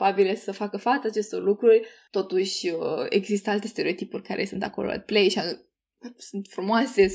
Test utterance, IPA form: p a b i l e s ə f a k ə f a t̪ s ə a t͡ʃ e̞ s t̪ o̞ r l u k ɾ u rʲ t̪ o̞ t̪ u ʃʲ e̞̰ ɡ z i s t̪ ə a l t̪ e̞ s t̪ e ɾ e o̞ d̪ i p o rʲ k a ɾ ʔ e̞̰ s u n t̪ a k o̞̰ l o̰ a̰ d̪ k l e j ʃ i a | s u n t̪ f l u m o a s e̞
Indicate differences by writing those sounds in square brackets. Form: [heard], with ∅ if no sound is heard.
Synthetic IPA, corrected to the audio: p a b i l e s ə f a k ə f a t̪ s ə a t͡ʃ e̞ s t̪ o̞ r l u k ɾ u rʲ t̪ o̞ t̪ u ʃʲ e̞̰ ɡ z i s t̪ ə a l t̪ e̞ s t̪ e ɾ e o̞ [t̪] i p [u] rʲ k a ɾ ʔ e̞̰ s u n t̪ a k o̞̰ l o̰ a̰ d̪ [p] l e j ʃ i a | s u n t̪ f [ɾ] u m o a s e̞